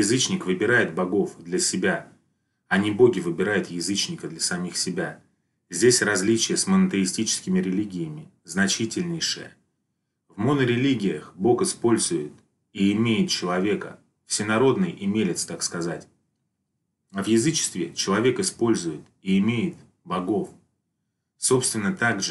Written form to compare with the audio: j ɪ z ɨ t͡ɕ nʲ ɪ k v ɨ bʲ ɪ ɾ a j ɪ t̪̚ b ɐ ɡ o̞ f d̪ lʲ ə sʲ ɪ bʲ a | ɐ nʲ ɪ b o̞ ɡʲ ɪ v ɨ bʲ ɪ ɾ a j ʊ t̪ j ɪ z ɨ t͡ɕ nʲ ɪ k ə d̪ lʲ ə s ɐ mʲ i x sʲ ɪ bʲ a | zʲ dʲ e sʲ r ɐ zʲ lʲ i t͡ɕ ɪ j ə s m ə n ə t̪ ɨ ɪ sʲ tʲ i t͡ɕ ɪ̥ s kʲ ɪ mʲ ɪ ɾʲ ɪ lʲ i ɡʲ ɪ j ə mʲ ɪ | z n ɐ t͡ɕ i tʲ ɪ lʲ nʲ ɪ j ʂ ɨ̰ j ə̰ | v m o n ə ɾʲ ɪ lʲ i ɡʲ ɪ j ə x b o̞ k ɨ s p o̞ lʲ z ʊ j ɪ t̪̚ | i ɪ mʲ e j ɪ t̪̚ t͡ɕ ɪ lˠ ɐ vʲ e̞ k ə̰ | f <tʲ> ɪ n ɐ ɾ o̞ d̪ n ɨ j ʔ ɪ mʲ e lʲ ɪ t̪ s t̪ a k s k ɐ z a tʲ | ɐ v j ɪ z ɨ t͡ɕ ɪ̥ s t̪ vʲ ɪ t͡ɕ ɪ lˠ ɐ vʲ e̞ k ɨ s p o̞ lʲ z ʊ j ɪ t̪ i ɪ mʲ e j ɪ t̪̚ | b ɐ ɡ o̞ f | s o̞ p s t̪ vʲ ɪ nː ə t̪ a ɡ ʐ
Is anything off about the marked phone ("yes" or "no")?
yes